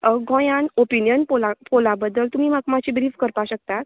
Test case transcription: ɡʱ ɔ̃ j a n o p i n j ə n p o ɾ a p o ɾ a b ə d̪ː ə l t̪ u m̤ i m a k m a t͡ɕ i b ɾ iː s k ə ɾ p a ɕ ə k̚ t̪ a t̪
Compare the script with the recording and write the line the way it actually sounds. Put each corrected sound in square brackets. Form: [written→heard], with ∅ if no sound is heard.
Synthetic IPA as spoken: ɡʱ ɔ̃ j a n o p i n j ə n p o [ɾ→l] a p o [ɾ→l] a b ə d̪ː ə l t̪ u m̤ i m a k m a t͡ɕ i b ɾ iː [s→f] k ə ɾ p a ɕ ə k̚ t̪ a t̪